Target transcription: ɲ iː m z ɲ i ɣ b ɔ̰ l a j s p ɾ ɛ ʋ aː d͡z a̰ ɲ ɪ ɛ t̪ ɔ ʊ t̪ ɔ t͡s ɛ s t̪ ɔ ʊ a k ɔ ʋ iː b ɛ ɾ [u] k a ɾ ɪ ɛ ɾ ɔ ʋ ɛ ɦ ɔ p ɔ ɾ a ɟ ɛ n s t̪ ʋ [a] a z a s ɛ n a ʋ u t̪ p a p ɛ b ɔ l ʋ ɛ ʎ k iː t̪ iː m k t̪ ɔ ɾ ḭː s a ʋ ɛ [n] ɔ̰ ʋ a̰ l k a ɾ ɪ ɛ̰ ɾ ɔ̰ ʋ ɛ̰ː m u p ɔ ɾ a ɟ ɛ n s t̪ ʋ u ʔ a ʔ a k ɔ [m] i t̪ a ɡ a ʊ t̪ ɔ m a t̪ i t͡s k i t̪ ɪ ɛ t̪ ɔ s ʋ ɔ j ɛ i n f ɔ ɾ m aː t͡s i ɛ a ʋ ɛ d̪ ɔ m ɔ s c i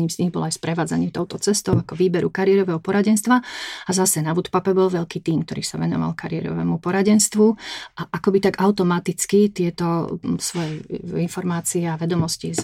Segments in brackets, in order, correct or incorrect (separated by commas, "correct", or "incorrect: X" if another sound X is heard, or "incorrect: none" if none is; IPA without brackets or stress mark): correct, correct, correct, incorrect: b